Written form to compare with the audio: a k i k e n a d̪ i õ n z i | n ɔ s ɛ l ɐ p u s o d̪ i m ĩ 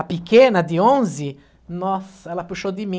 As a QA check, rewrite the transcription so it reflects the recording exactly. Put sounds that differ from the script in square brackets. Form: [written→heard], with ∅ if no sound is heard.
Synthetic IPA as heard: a [k→p] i k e n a d̪ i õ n z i | n ɔ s ɛ l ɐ p u [s→ʃ] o d̪ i m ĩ